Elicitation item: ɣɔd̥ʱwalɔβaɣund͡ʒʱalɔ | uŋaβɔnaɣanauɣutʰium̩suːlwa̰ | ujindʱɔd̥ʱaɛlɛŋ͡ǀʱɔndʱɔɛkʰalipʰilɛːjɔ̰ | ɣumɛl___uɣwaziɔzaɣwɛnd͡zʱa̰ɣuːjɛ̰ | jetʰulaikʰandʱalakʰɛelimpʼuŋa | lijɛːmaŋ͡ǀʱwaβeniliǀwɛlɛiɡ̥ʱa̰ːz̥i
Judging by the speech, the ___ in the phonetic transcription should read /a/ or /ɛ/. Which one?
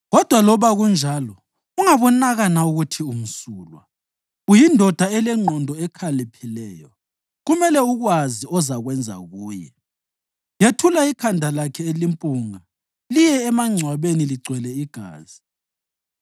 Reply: ɛ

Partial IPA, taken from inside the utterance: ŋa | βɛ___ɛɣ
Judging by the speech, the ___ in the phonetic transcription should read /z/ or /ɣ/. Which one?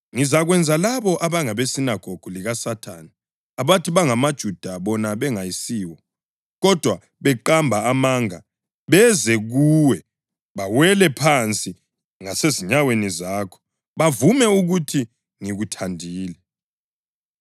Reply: z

